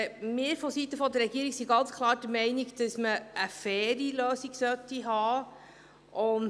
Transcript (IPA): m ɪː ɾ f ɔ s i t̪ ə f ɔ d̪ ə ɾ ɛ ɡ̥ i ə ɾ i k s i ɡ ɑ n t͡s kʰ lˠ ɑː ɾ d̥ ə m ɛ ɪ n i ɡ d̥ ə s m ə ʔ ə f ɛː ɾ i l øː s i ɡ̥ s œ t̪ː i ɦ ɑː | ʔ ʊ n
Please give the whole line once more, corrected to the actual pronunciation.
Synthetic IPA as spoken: m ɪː ɾ f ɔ s i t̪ ə f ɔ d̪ ə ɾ ɛ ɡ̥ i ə ɾ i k s i ɡ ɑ n t͡s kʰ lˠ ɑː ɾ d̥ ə m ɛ ɪ n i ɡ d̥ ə s m ə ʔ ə f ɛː ɾ i l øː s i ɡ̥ s œ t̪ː i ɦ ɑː | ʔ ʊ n